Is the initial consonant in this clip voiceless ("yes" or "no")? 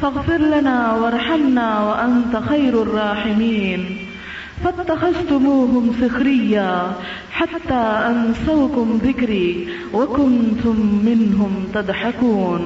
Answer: yes